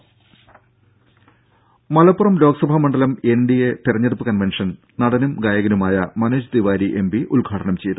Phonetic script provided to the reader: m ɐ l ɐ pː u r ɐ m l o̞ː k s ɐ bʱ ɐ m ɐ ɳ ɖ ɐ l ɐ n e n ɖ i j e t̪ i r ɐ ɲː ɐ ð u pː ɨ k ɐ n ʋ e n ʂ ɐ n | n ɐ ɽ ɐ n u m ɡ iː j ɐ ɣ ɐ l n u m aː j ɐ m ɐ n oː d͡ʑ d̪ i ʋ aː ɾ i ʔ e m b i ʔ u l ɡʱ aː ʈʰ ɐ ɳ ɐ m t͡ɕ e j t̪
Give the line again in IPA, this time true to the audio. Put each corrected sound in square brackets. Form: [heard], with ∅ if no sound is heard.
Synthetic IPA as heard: m ɐ l ɐ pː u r ɐ m l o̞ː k s ɐ bʱ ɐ m ɐ ɳ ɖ ɐ l ɐ [m] e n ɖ i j e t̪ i r ɐ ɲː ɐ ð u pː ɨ k ɐ n ʋ e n ʂ ɐ n | n ɐ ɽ ɐ n u m ɡ [aː] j ɐ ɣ ɐ [∅] n u m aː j ɐ m ɐ n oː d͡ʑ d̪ i ʋ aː ɾ i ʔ e m b i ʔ u l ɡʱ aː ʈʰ ɐ ɳ ɐ m t͡ɕ e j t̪

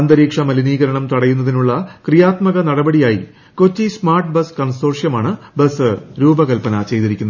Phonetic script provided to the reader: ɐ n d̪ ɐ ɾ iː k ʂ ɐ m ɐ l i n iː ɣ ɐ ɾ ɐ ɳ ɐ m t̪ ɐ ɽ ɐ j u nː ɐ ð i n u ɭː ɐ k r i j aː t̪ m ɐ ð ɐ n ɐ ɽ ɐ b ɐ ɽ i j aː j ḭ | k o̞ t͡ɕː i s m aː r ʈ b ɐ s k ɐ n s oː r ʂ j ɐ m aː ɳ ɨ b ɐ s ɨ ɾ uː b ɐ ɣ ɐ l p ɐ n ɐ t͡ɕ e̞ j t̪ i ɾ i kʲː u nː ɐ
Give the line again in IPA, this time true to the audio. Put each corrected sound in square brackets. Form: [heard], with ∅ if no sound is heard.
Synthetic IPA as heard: ɐ n d̪ ɐ ɾ iː k ʂ ɐ m ɐ l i n iː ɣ ɐ ɾ ɐ ɳ ɐ m t̪ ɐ ɽ ɐ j u nː ɐ ð i n u ɭː ɐ k r i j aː t̪ m ɐ [ɣ] ɐ n ɐ ɽ ɐ b ɐ ɽ i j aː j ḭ | k o̞ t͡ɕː i s m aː r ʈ b ɐ s k ɐ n s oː r ʂ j ɐ m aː ɳ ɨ b ɐ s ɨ ɾ uː b ɐ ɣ ɐ l p ɐ n ɐ t͡ɕ e̞ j t̪ i ɾ i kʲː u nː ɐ

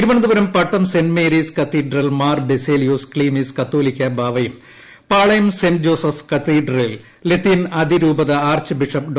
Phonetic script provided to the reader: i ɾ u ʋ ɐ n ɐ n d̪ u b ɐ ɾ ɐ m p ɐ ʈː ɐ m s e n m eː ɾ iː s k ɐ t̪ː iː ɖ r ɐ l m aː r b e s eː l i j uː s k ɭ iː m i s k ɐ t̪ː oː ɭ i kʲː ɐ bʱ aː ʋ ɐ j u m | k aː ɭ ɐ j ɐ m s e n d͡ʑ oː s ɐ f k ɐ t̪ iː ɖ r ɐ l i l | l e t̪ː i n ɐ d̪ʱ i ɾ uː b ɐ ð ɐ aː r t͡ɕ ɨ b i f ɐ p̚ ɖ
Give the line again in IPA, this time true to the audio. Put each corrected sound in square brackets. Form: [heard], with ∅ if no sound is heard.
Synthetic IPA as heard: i ɾ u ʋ ɐ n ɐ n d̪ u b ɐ ɾ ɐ m p ɐ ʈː ɐ m s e n m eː ɾ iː s k ɐ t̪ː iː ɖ r ɐ l m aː r b e s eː l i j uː s k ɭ iː m i s k ɐ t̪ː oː [l] i kʲː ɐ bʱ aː ʋ ɐ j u m | [p] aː ɭ ɐ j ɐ m s e n d͡ʑ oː s ɐ f k ɐ t̪ iː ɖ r ɐ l i l | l e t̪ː i n ɐ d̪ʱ i ɾ uː b ɐ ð ɐ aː r t͡ɕ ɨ b i [ʂ] ɐ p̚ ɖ

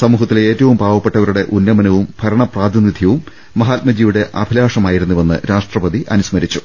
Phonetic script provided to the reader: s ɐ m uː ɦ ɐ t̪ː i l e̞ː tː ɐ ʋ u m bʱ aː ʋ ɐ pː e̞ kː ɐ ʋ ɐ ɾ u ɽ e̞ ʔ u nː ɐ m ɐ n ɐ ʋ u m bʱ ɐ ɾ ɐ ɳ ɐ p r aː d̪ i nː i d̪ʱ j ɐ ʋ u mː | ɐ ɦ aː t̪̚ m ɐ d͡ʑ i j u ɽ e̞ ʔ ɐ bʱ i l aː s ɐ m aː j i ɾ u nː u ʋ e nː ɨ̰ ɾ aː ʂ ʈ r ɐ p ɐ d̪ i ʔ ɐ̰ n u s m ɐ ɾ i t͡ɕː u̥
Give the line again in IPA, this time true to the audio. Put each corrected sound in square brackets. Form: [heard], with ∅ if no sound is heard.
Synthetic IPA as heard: s ɐ m uː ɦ ɐ t̪ː i l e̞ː tː ɐ ʋ u m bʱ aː ʋ ɐ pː e̞ [ʈː] ɐ ʋ ɐ ɾ u ɽ e̞ ʔ u nː ɐ m ɐ n ɐ ʋ u m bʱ ɐ ɾ ɐ ɳ ɐ p r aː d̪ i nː i d̪ʱ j ɐ ʋ u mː | ɐ ɦ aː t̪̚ m ɐ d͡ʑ i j u ɽ e̞ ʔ ɐ bʱ i l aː [ʂ] ɐ m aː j i ɾ u nː u ʋ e nː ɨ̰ ɾ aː ʂ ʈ r ɐ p ɐ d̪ i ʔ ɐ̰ n u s m ɐ ɾ i t͡ɕː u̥

